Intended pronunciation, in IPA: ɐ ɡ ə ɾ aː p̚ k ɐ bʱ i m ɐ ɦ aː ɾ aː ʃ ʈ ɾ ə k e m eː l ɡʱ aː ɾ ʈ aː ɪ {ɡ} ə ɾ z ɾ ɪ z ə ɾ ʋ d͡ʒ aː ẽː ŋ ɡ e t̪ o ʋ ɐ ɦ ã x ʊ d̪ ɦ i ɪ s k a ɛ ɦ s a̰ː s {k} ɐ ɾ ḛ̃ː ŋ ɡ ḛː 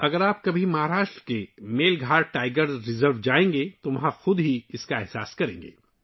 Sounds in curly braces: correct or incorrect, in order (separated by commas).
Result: correct, correct